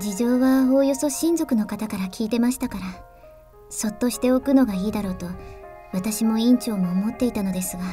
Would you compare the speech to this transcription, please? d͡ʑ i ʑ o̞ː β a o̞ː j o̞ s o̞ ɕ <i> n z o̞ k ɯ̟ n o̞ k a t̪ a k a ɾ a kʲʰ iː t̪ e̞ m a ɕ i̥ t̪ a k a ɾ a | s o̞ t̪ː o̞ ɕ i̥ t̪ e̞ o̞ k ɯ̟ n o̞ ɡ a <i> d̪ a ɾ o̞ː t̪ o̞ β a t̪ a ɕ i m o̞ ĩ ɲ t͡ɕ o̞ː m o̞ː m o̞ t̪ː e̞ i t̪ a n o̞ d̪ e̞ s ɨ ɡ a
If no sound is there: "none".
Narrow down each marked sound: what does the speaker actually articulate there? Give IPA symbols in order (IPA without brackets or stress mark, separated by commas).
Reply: ĩ, iː